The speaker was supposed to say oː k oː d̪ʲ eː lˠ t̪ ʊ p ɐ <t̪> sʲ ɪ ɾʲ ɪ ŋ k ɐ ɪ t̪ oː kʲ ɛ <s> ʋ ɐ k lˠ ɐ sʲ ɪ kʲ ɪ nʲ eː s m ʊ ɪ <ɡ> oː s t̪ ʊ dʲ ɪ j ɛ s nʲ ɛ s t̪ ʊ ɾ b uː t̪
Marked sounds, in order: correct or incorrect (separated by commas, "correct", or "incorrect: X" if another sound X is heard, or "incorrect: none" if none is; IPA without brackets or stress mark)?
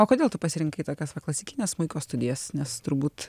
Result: incorrect: none, correct, incorrect: k